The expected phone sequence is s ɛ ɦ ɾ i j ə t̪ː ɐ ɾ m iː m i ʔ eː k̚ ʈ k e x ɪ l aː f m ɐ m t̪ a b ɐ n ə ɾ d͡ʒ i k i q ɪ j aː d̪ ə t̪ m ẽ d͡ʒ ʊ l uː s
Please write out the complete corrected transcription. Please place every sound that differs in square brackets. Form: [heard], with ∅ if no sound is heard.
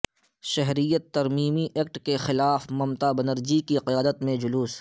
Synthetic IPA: [ʃ] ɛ ɦ ɾ i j ə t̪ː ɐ ɾ m iː m i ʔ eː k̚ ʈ k e x ɪ l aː f m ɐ m t̪ a b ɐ n ə ɾ d͡ʒ i k i q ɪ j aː d̪ ə t̪ m ẽ d͡ʒ ʊ l uː s